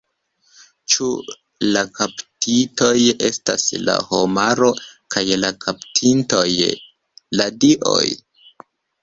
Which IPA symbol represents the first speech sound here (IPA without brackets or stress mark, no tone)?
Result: t͡ʃ